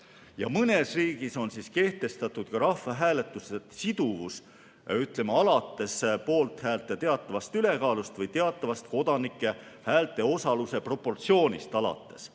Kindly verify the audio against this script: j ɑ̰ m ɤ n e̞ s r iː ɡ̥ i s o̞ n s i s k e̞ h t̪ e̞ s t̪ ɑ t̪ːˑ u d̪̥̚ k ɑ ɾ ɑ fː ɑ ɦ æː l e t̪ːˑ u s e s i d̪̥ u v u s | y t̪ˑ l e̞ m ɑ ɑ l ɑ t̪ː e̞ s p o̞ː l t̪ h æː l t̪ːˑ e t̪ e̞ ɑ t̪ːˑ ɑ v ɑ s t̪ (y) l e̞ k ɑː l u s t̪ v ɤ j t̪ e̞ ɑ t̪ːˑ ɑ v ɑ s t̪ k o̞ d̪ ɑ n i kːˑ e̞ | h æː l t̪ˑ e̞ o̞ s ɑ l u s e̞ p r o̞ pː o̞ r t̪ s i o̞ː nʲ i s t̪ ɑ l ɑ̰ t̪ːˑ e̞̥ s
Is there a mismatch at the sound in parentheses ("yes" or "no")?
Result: no